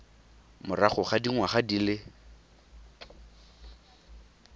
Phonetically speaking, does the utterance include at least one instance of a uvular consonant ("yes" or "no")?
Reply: yes